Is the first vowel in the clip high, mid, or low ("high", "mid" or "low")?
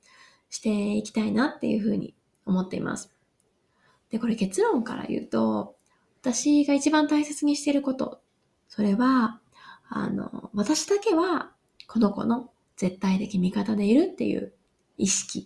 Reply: high